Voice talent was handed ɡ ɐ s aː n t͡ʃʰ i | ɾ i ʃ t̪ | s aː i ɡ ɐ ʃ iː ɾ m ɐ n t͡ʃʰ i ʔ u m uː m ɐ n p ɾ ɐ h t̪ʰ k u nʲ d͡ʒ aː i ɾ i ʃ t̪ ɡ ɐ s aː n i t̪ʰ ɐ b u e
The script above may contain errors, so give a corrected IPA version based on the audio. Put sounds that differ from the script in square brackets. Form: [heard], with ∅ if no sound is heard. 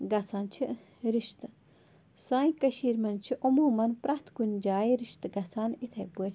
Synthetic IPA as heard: ɡ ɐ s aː n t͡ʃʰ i | ɾ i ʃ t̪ | s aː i [k] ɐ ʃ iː ɾ m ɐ n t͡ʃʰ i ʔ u m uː m ɐ n p ɾ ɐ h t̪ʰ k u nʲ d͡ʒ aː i ɾ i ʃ t̪ ɡ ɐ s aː n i t̪ʰ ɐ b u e